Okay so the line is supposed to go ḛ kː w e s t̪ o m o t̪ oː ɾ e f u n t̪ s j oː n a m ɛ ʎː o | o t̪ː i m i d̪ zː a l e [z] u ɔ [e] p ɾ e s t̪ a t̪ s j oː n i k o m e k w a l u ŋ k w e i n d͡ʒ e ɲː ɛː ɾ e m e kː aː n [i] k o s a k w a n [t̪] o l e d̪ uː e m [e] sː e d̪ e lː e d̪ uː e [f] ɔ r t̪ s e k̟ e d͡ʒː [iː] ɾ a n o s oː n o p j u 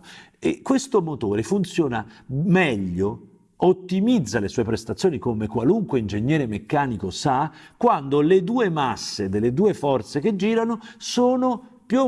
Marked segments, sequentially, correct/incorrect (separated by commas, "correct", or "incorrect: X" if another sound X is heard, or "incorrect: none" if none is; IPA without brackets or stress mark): incorrect: s, correct, correct, incorrect: d̪, incorrect: a, correct, correct